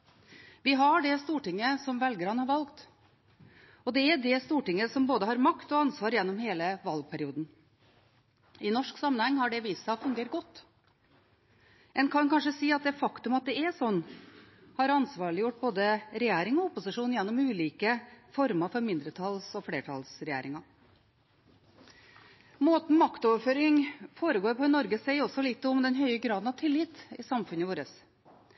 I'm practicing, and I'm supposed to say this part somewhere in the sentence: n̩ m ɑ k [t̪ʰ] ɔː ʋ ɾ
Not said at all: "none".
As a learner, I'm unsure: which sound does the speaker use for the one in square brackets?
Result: t̪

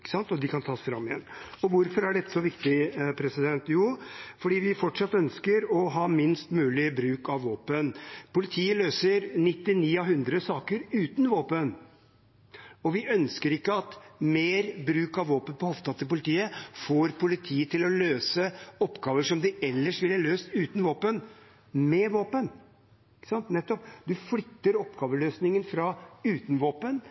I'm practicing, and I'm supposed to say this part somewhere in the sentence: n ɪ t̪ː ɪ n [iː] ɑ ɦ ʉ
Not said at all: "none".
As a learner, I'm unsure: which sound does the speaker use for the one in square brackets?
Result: iː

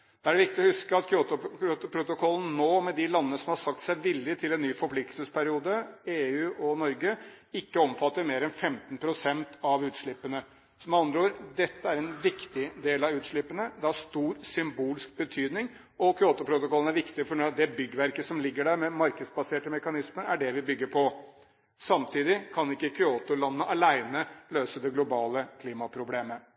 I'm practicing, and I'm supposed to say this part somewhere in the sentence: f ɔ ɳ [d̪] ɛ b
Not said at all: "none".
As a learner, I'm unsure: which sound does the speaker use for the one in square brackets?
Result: d̪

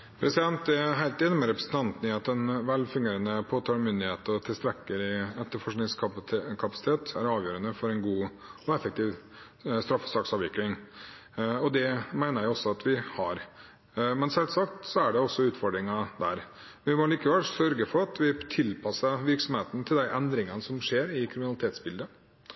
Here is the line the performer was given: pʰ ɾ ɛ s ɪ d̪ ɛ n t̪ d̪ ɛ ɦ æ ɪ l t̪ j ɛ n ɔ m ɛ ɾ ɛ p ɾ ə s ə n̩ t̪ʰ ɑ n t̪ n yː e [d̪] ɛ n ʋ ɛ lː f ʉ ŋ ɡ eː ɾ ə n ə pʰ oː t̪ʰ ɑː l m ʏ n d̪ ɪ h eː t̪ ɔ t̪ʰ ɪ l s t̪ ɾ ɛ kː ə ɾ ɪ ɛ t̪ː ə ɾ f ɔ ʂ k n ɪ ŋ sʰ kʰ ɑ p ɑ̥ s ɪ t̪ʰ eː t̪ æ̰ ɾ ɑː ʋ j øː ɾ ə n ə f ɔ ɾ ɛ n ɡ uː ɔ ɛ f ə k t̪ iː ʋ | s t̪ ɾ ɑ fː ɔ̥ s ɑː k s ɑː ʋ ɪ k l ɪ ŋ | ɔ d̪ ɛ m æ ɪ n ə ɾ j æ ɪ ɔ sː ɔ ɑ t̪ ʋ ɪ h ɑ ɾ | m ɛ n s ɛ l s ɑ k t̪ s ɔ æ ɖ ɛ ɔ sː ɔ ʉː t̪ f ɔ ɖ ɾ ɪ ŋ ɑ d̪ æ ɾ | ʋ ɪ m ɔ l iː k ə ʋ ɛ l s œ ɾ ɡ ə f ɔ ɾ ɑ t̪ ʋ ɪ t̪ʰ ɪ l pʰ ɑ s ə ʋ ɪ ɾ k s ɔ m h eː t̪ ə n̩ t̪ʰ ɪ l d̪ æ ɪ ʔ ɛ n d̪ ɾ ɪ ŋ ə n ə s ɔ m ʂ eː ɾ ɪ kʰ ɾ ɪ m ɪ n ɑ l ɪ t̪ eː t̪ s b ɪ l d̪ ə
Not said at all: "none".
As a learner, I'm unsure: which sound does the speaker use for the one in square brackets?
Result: t̪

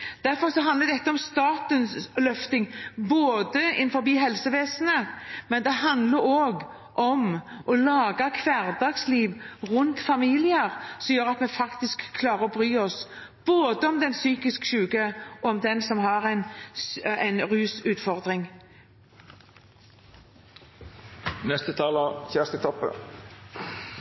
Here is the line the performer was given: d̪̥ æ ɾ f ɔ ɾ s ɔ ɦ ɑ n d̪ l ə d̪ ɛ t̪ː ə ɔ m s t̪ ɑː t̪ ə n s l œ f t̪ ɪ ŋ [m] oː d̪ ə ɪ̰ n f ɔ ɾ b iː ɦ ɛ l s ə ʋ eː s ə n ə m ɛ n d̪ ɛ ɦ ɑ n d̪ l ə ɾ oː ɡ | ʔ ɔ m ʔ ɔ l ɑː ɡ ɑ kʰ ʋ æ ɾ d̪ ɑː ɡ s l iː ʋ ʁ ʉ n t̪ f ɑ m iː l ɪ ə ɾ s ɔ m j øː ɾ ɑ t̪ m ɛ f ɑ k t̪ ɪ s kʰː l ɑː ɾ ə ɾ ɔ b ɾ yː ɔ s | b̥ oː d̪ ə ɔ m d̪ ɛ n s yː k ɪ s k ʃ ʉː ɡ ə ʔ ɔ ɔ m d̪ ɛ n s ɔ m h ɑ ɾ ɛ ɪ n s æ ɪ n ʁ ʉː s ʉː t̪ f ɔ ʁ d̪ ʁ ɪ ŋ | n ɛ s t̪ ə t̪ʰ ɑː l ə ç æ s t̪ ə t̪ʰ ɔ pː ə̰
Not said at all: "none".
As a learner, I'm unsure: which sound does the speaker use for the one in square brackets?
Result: b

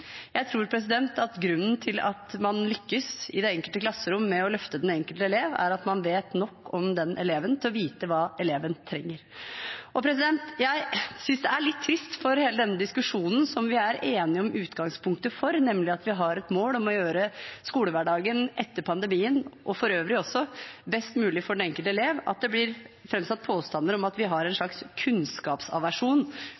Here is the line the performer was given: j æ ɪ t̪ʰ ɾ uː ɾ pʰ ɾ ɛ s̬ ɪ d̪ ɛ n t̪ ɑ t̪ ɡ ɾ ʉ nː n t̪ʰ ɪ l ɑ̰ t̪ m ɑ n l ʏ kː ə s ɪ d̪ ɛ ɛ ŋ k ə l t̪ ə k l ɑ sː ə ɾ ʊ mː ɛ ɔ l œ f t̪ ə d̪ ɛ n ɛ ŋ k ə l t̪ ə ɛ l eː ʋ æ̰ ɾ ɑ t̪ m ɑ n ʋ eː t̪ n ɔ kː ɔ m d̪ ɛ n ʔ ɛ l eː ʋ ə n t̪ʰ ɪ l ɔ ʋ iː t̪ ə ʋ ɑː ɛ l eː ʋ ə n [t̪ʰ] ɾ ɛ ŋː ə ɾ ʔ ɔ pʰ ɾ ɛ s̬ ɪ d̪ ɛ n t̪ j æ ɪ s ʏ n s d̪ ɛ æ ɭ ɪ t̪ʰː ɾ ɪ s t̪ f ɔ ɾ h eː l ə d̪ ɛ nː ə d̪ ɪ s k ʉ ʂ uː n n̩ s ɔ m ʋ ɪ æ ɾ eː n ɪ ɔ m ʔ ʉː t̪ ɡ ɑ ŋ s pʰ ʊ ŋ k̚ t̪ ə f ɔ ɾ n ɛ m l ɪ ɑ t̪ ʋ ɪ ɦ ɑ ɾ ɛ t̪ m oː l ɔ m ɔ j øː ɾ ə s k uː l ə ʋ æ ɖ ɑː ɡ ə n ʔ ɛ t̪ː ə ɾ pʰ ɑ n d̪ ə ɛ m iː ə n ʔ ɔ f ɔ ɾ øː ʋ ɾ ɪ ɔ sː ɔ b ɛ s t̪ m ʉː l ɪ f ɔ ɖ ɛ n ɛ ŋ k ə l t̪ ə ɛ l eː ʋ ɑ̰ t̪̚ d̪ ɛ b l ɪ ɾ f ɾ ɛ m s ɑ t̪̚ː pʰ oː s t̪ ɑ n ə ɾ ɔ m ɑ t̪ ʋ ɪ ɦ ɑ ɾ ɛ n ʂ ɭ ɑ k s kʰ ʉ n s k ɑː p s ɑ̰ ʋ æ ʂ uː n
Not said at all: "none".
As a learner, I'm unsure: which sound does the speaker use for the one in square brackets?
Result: t̪ʰ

